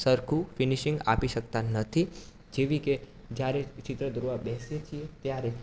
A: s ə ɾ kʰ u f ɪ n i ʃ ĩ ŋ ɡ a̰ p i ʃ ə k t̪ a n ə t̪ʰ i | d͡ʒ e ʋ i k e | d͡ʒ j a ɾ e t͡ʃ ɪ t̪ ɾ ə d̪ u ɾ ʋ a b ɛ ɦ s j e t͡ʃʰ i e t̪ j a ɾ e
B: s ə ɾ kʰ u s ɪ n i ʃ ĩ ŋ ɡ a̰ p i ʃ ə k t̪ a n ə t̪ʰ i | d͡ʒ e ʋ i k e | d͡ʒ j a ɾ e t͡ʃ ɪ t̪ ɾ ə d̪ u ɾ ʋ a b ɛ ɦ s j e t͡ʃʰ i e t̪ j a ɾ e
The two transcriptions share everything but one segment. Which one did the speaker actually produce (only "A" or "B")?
A